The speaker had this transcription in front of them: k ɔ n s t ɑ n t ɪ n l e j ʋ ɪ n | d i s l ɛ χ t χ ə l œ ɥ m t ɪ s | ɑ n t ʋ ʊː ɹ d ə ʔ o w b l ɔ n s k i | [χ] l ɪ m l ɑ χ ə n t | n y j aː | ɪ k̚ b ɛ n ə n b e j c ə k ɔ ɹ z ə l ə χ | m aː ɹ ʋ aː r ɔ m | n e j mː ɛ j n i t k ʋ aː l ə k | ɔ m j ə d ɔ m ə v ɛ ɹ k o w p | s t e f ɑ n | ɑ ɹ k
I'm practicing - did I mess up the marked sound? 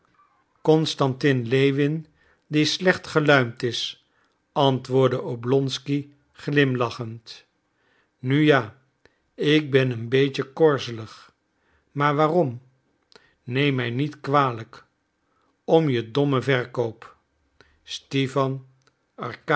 no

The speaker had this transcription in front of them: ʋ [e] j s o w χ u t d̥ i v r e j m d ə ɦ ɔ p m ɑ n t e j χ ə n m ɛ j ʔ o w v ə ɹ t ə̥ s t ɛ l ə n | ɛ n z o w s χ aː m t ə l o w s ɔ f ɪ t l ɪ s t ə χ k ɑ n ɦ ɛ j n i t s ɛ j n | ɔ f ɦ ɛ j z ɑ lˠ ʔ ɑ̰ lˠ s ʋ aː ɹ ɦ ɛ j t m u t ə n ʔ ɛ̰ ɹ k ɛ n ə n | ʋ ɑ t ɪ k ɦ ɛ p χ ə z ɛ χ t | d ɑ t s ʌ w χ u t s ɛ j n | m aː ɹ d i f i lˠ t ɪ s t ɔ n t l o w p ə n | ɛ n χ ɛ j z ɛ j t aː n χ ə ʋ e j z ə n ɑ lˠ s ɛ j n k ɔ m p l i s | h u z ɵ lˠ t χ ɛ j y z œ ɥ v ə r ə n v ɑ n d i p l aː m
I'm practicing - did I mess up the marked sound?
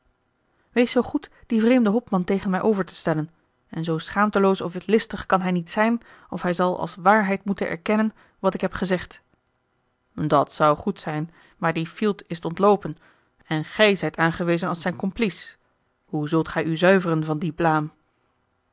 no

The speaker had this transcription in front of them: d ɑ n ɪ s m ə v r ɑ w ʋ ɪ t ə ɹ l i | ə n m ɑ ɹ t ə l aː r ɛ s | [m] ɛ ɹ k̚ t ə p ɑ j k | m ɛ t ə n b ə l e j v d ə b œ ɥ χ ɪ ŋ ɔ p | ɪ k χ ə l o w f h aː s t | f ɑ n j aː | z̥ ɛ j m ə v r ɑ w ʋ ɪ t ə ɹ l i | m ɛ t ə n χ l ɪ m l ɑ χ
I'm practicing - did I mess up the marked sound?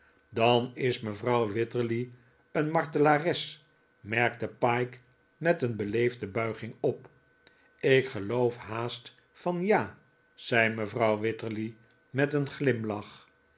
no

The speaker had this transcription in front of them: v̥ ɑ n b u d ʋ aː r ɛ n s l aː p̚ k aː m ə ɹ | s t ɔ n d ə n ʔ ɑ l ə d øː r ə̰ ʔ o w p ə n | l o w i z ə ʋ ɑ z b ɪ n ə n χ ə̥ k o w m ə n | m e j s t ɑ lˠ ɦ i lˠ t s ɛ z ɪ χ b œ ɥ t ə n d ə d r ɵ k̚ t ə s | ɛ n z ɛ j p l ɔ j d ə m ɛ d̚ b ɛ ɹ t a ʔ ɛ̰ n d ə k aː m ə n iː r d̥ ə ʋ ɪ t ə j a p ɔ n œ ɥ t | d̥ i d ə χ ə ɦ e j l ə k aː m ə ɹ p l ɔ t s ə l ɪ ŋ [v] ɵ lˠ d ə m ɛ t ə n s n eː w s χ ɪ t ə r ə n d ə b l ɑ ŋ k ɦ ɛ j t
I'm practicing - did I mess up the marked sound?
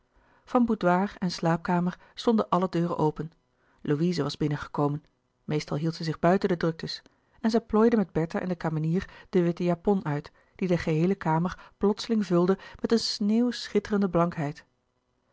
no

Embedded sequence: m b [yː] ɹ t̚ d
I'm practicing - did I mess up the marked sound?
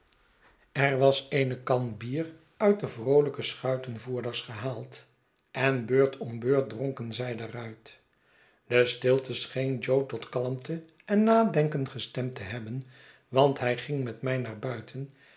yes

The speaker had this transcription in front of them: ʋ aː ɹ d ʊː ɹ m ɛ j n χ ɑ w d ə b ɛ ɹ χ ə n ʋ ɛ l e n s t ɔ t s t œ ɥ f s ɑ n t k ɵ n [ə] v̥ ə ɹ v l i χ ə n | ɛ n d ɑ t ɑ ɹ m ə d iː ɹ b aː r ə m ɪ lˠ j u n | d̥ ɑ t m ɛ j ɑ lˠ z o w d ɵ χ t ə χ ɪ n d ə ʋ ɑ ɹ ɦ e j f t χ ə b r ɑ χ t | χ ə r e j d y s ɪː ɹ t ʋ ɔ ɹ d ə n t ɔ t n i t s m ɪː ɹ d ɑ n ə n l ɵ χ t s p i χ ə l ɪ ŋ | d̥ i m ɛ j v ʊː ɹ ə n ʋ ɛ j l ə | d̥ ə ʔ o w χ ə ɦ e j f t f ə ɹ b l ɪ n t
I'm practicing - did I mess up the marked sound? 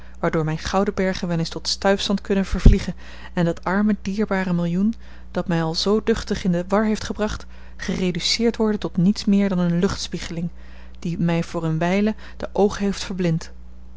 no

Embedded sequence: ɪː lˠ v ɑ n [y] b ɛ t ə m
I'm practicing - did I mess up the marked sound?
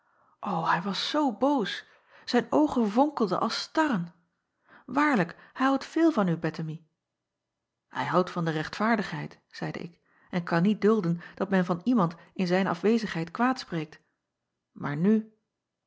no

